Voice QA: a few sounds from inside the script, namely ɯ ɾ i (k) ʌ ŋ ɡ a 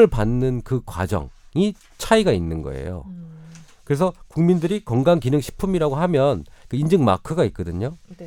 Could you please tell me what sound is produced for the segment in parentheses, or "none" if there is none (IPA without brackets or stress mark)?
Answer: k